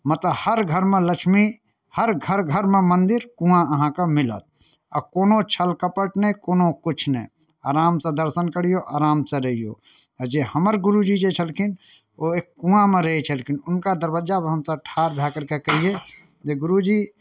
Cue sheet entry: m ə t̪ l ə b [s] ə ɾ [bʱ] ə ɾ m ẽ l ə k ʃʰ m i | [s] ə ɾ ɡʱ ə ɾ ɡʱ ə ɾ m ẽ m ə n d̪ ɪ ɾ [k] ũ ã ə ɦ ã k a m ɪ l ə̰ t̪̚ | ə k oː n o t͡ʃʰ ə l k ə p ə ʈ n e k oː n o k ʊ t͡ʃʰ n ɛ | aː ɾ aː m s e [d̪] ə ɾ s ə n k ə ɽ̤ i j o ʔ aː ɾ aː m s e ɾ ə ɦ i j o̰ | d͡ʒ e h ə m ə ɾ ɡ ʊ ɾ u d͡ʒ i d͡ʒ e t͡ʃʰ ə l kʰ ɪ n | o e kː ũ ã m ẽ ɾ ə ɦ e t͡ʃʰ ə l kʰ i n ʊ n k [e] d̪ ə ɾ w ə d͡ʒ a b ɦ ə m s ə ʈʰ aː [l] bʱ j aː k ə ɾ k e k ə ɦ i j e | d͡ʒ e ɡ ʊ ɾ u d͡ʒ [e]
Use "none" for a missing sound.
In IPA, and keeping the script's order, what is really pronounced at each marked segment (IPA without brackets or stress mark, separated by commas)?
h, ɡʱ, h, k, d̪, a, ɾ, i